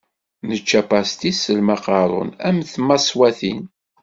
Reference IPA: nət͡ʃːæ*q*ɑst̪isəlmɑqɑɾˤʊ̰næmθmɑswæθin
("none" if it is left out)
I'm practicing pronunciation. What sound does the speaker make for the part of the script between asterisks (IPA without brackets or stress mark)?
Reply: p